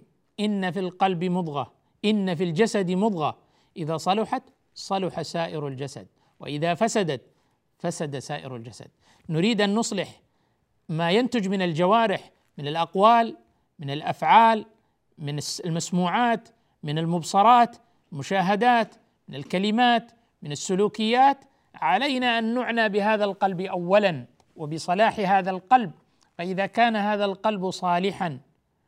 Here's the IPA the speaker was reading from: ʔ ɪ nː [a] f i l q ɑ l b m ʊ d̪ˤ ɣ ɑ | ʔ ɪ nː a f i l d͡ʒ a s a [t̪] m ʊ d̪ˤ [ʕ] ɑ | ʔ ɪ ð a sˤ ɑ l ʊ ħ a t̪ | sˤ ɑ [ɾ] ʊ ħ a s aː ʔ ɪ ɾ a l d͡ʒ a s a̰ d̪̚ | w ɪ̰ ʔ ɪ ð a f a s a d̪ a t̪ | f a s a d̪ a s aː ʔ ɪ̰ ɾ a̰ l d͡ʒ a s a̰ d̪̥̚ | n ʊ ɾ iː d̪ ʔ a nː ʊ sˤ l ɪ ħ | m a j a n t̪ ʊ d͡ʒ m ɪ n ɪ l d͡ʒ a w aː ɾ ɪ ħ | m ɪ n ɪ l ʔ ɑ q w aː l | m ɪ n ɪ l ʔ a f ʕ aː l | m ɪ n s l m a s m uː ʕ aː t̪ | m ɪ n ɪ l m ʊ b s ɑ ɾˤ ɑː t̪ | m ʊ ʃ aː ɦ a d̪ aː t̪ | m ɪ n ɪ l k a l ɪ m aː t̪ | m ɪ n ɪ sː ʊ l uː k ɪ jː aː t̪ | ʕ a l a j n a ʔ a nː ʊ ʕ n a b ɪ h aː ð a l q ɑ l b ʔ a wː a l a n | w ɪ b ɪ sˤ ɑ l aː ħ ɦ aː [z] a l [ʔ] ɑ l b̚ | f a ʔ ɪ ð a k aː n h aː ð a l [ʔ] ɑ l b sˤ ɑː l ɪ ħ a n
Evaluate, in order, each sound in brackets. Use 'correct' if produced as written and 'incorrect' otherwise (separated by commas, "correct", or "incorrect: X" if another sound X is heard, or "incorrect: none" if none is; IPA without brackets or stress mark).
correct, incorrect: d̪, incorrect: ɣ, incorrect: l, incorrect: ð, incorrect: q, incorrect: q